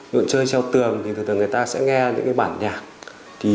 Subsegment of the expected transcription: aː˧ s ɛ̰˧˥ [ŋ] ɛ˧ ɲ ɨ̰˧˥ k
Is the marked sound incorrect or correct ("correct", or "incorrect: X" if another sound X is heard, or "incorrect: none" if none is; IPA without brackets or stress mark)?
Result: correct